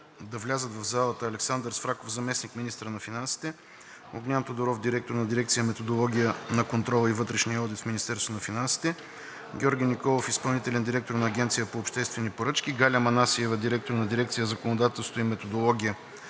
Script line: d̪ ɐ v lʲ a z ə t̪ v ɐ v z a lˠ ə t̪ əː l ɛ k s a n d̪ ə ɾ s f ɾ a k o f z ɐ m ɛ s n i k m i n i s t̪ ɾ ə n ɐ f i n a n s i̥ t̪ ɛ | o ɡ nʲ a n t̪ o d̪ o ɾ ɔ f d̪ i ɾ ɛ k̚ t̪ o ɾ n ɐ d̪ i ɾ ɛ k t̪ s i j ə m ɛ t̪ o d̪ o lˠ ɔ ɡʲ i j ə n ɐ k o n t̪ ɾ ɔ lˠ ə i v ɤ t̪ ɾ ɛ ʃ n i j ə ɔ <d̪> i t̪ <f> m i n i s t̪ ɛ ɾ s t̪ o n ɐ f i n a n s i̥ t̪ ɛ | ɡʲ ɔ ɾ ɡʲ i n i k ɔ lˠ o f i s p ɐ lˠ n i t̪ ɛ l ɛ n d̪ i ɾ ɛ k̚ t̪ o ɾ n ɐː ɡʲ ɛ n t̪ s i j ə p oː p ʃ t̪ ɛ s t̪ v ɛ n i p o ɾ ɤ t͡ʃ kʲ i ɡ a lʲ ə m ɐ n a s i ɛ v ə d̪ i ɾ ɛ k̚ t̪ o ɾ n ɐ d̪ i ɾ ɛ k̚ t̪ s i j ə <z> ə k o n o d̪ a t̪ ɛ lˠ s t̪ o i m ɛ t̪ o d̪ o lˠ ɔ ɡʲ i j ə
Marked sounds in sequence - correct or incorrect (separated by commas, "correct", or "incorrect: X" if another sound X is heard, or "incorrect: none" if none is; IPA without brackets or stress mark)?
correct, correct, correct